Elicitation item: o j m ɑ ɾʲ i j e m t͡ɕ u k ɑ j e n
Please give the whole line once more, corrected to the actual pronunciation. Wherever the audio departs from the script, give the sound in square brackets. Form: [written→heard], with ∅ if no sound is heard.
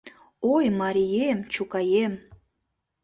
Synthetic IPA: o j m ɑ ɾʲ i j e m t͡ɕ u k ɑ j e [n→m]